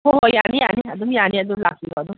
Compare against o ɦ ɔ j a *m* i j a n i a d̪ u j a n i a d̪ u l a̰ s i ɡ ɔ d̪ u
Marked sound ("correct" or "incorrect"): incorrect